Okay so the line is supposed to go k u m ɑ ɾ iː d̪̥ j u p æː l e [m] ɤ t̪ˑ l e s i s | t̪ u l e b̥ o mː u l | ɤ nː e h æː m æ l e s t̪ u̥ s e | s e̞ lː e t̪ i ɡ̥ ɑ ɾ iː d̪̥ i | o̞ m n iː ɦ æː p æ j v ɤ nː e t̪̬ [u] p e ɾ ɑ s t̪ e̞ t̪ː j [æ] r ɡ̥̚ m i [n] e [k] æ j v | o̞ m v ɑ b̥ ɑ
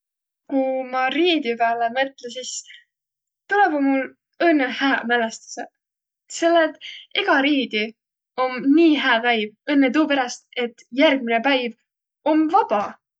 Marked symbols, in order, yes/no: yes, no, yes, yes, no

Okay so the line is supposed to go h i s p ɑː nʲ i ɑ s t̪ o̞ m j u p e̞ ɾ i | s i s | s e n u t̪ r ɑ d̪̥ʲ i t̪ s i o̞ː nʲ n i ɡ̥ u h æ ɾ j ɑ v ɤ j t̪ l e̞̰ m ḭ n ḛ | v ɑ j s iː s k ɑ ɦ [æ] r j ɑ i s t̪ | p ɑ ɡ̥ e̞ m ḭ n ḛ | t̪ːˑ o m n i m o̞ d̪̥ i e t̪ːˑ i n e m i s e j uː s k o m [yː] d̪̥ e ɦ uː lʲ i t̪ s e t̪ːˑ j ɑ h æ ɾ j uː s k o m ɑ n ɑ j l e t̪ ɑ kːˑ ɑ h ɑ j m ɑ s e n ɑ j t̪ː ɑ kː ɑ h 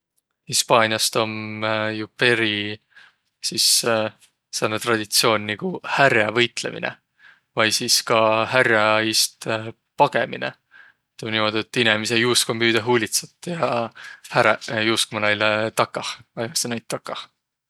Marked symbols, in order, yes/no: yes, yes

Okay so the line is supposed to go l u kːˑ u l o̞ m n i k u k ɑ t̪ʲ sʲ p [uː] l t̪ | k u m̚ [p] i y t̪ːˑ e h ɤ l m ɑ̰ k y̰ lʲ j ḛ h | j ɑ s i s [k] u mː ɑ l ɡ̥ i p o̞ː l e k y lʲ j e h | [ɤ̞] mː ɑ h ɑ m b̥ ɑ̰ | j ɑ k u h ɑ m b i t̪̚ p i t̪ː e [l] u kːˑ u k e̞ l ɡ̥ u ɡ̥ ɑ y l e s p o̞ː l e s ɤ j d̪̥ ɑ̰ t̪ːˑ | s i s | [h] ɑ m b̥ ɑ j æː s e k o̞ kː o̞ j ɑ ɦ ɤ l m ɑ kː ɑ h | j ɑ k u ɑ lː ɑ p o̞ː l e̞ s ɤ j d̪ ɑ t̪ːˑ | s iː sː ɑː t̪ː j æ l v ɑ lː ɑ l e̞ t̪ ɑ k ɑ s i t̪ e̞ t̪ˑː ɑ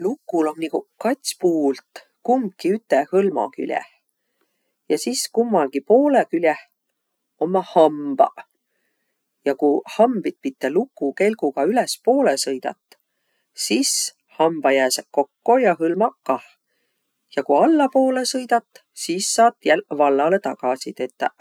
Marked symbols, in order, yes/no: yes, no, yes, no, yes, yes

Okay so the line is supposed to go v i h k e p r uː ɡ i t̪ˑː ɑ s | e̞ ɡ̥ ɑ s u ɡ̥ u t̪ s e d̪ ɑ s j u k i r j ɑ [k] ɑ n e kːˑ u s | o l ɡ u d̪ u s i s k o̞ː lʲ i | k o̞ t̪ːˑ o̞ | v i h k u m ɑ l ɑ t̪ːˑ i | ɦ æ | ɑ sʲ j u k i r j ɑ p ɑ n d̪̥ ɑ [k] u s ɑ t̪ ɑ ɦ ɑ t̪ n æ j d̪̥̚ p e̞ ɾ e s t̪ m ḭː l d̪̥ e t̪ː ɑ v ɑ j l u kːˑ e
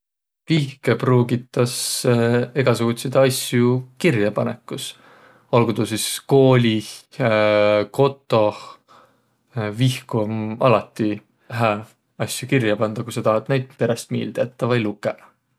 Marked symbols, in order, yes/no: no, yes

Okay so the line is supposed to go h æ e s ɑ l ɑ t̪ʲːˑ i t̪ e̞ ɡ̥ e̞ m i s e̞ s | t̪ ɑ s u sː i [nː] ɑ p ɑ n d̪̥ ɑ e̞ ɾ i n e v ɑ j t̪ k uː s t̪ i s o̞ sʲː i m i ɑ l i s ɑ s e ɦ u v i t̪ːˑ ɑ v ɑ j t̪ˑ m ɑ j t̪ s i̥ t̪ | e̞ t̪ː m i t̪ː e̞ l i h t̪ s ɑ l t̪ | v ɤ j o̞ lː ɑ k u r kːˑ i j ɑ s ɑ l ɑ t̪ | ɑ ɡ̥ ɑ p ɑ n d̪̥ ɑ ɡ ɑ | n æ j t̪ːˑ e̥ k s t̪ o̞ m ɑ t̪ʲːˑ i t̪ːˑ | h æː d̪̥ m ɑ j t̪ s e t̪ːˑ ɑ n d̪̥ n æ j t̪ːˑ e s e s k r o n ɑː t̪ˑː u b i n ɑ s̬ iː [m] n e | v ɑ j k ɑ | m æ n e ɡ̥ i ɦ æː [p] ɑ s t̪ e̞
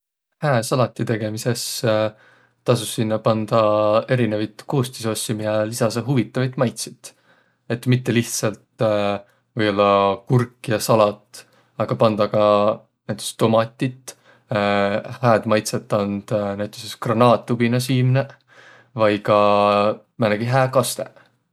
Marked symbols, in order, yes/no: yes, yes, no

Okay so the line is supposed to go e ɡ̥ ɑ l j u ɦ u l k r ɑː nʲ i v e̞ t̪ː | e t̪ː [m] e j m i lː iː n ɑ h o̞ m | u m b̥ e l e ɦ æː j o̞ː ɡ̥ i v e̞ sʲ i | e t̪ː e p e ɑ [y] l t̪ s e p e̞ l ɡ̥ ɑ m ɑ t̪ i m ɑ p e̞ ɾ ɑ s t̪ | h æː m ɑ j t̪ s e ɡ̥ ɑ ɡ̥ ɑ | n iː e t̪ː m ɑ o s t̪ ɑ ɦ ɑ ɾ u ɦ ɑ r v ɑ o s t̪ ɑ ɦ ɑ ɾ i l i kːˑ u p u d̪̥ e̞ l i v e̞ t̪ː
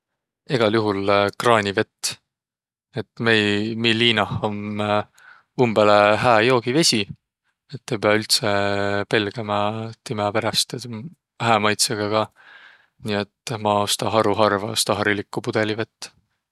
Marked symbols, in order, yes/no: yes, yes

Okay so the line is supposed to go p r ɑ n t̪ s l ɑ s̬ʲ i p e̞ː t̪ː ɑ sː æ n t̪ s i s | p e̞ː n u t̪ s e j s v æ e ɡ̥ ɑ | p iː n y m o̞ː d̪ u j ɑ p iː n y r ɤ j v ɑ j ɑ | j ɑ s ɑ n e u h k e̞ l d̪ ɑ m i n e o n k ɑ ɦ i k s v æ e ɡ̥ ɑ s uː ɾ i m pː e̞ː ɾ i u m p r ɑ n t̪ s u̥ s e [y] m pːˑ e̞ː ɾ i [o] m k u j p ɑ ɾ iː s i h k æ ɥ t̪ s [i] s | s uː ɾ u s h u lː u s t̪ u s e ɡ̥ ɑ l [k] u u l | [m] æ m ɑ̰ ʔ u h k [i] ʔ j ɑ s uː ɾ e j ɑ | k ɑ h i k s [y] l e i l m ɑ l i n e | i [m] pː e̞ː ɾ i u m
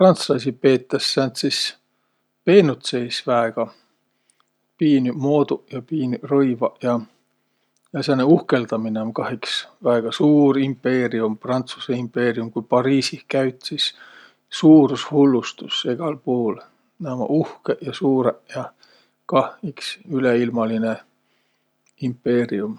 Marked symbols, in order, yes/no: no, no, yes, no, no, no, yes, yes

